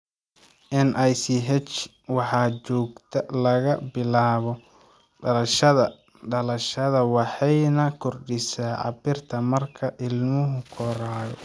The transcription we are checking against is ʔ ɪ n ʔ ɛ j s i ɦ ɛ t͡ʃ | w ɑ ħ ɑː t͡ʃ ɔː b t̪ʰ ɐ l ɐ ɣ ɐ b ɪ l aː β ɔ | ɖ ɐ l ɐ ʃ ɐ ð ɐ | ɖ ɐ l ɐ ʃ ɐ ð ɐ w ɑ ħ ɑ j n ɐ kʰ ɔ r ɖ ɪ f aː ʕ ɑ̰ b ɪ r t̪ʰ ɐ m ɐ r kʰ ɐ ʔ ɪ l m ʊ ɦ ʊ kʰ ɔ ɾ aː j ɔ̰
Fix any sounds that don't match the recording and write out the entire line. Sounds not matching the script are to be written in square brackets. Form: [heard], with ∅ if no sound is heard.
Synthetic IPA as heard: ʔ ɪ n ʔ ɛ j s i ɦ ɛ t͡ʃ | w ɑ ħ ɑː t͡ʃ ɔː [ɡ] t̪ʰ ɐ l ɐ ɣ ɐ b ɪ l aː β ɔ | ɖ ɐ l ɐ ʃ ɐ ð ɐ | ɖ ɐ l ɐ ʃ ɐ ð ɐ w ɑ ħ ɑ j n ɐ kʰ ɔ r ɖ ɪ [s] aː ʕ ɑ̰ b ɪ r t̪ʰ ɐ m ɐ r kʰ ɐ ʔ ɪ l m ʊ ɦ ʊ kʰ ɔ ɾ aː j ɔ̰